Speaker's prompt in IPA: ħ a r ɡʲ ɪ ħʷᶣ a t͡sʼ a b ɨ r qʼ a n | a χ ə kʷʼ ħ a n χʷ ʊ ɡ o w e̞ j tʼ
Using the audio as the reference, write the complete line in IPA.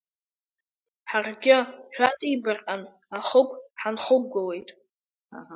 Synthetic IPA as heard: ħ a r ɡʲ ɪ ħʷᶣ a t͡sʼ i b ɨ r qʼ a n | a χ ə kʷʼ ħ a n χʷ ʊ ɡ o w e̞ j tʼ